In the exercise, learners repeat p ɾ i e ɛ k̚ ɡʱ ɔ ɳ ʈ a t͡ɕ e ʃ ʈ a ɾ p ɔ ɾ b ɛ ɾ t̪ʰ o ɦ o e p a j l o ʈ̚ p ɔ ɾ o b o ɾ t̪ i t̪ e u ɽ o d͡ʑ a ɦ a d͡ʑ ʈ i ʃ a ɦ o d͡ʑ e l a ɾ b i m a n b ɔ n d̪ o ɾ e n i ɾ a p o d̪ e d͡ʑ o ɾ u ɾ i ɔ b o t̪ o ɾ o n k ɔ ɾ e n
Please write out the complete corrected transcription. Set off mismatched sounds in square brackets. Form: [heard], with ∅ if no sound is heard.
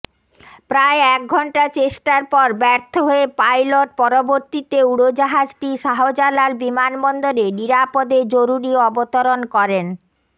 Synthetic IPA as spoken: p ɾ [a] e ɛ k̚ ɡʱ ɔ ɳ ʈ a t͡ɕ e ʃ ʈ a ɾ p ɔ ɾ b ɛ ɾ t̪ʰ o ɦ o e p a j l o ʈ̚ p ɔ ɾ o b o ɾ t̪ i t̪ e u ɽ o d͡ʑ a ɦ a d͡ʑ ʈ i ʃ a ɦ o d͡ʑ [a] l a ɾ b i m a n b ɔ n d̪ o ɾ e n i ɾ a p o d̪ e d͡ʑ o ɾ u ɾ i ɔ b o t̪ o ɾ o n k ɔ ɾ e n